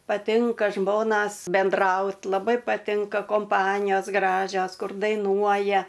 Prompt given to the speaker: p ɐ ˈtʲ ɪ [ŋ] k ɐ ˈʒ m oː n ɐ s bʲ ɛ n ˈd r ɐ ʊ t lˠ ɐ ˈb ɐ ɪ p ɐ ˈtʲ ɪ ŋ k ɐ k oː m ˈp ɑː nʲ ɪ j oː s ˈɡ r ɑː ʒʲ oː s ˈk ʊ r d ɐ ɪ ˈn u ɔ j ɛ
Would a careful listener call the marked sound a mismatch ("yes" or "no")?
no